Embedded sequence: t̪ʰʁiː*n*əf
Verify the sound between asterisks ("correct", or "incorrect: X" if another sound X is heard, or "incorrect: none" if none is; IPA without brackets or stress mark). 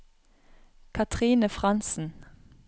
correct